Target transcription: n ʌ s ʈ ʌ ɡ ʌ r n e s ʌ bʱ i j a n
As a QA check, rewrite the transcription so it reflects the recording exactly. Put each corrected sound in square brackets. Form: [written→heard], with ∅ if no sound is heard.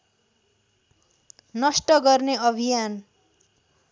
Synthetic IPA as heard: n ʌ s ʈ ʌ ɡ ʌ r n e [s→∅] ʌ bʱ i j a n